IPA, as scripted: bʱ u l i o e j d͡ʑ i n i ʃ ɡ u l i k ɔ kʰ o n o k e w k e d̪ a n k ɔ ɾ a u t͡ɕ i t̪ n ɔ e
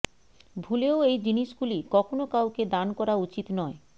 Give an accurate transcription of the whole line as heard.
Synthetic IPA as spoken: bʱ u l e o e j d͡ʑ i n i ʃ ɡ u l i k ɔ kʰ o n o k a w k e d̪ a n k ɔ ɾ a u t͡ɕ i t̪ n ɔ e

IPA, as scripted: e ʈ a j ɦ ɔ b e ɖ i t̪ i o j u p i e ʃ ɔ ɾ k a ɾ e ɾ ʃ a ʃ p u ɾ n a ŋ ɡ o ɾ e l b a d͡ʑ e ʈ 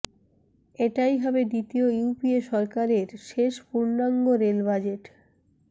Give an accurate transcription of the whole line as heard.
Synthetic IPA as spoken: e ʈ a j ɦ ɔ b e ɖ i t̪ i o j u p i e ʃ ɔ ɾ k a ɾ e ɾ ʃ e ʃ p u ɾ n a ŋ ɡ o ɾ e l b a d͡ʑ e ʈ

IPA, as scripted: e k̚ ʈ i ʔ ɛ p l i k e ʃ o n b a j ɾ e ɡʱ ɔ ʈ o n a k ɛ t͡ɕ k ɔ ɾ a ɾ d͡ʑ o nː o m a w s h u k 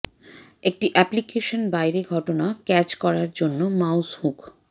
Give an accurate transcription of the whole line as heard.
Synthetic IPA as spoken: e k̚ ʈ i ʔ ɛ p l i k e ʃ o n b a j ɾ e ɡʱ ɔ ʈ o n a k ɛ t͡ɕ k ɔ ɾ a ɾ d͡ʑ o nː o m a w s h u k

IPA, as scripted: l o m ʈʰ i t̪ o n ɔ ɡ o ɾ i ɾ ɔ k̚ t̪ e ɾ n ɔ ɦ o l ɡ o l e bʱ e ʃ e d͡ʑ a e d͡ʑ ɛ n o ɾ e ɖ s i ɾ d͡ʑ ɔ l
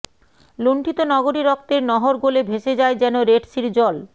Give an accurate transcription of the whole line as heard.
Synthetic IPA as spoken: l o ɳ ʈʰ i t̪ o n ɔ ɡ o ɾ i ɾ ɔ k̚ t̪ e ɾ n ɔ ɦ o ɾ ɡ o l e bʱ e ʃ e d͡ʑ a e d͡ʑ ɛ n o ɾ e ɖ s i ɾ d͡ʑ ɔ l

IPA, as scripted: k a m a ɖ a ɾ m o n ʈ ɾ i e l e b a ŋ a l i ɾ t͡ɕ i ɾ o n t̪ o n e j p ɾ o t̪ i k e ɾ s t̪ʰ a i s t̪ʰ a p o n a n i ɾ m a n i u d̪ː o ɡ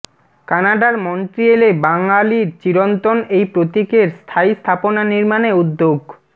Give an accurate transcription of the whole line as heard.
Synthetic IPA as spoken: k a n a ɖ a ɾ m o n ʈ ɾ i e l e b a ŋ a l i ɾ t͡ɕ i ɾ o n t̪ o n e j p ɾ o t̪ i k e ɾ s t̪ʰ a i s t̪ʰ a p o n a n i ɾ m a n e u d̪ː o ɡ

